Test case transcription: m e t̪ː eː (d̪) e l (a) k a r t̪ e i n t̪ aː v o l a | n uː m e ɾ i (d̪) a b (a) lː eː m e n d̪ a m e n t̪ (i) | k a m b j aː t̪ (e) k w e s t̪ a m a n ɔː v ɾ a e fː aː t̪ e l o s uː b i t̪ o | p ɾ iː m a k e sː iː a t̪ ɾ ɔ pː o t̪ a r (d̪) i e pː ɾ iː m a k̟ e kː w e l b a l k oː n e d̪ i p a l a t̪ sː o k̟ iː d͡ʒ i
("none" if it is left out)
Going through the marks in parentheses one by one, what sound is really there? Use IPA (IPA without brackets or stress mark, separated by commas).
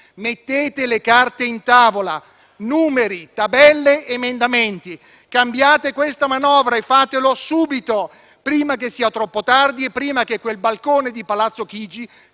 t̪, e, t̪, ɛ, i, e, d̪